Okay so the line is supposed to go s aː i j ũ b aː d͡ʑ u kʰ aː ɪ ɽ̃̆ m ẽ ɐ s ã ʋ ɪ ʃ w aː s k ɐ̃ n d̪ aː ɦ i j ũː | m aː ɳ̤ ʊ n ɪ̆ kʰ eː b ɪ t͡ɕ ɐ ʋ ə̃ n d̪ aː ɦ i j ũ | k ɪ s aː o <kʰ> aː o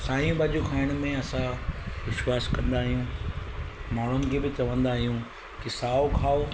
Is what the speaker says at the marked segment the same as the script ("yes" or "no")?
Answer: yes